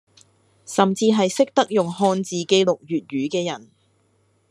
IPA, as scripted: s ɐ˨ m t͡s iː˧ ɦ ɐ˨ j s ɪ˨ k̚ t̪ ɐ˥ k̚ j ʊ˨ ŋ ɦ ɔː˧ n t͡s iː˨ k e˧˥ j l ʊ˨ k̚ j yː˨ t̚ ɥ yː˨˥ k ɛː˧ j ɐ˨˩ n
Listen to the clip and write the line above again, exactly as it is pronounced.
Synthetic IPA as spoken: s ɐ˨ m t͡s iː˧ ɦ ɐ˨ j s ɪ˥ k̚ t̪ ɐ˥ k̚ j ʊ˨ ŋ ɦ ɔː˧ n t͡s iː˨ k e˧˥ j l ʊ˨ k̚ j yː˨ t̚ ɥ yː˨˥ k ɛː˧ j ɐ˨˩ n